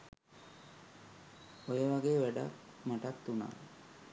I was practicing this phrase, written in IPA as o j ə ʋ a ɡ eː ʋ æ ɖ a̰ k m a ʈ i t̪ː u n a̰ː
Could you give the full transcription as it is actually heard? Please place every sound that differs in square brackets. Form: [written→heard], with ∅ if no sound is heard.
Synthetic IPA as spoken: o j ə ʋ a ɡ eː ʋ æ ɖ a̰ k m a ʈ [i→a] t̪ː u n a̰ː